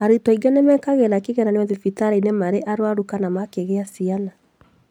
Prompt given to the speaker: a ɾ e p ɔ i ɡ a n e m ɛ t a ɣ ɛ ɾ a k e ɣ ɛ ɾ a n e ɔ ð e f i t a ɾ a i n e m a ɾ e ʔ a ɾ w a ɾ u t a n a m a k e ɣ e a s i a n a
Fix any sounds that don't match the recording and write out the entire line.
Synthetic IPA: a ɾ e t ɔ i ɡ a n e m ɛ k a ɣ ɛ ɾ a k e ɣ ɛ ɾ a n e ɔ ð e f i t a ɾ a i n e m a ɾ e ʔ a ɾ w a ɾ u k a n a m a k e ɣ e a s i a n a

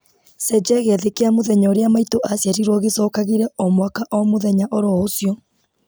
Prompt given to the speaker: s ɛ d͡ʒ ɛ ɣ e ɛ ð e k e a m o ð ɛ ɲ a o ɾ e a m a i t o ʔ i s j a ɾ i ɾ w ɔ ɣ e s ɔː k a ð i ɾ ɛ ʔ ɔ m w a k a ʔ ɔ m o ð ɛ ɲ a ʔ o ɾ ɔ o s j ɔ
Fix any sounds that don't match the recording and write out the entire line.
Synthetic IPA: s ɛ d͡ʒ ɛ ɣ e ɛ ð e k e a m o ð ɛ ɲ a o ɾ e a m a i t o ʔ a s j a ɾ i ɾ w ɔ ɣ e s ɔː k a ɣ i ɾ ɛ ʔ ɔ m w a k a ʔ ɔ m o ð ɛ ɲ a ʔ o ɾ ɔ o s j ɔ

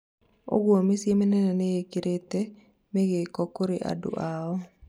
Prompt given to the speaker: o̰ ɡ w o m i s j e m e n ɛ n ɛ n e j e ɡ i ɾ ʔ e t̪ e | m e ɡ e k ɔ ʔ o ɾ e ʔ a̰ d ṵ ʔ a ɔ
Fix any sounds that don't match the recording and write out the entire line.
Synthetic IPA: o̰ ɡ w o m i s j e m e n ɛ n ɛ n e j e k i ɾ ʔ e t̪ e | m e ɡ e k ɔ k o ɾ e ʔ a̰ d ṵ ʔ a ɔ

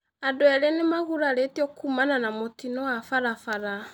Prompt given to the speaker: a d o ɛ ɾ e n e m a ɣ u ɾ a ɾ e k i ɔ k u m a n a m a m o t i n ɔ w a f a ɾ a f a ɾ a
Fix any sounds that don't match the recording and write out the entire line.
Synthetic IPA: a d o ɛ ɾ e n e m a ɣ u ɾ a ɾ e t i ɔ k u m a n a n a m o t i n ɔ w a f a ɾ a f a ɾ a

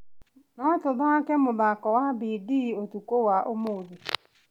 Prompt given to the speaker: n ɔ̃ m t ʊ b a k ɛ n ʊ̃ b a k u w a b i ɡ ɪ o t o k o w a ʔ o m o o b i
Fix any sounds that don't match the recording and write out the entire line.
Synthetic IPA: n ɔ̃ t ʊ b a k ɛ m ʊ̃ b a k ɔ w a b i d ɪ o t u k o w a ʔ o m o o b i

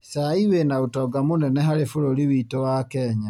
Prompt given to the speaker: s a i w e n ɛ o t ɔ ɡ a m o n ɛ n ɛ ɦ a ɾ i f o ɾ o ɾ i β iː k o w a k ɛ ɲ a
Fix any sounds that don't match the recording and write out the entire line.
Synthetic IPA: s a i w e n a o t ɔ ɡ a m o n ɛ n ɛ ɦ a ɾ e f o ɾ o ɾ i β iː t o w a k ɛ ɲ a

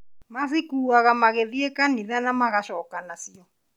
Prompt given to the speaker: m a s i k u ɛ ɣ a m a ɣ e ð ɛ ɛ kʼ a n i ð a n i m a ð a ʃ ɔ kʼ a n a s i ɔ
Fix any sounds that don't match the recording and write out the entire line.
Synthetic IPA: m a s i k u a ɣ a m a ɣ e ð i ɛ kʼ a n i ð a n a m a ɣ a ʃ ɔ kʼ a n a s i ɔ

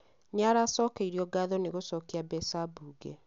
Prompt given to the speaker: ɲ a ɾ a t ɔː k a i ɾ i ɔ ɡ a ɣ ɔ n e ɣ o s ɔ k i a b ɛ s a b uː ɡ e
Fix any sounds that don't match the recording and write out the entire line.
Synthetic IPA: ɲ a ɾ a s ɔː k e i ɾ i ɔ ɡ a ð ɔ n e ɣ o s ɔ k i a b ɛ s a b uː ɡ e

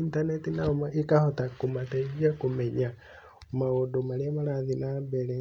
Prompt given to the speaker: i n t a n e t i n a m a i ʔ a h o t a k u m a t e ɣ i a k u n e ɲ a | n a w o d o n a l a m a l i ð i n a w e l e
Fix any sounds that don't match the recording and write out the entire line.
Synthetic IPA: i n t a n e t i n a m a i k a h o t a k u m a t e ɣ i a k u m e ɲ a | m a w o d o m a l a m a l a ð i n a b e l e

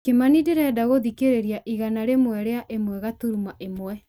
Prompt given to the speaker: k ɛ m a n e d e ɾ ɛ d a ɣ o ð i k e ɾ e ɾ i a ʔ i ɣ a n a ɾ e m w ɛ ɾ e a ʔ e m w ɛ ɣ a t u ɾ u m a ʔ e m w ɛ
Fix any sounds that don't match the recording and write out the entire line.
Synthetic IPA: k e m a n i d e ɾ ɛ d a ɣ o ð i k e ɾ e ɾ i a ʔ i ɣ a n a ɾ e m w ɛ ɾ e a ʔ e m w ɛ ɣ a t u ɾ u m a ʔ e m w ɛ

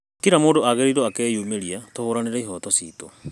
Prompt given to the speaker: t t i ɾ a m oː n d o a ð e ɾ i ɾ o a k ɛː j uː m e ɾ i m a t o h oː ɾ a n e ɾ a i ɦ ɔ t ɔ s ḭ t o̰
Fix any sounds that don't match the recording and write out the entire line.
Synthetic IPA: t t i ɾ a m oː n d o a ɣ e ɾ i ɾ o a k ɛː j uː m e ɾ i a t o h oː ɾ a n e ɾ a i ɦ ɔ t ɔ s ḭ t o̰

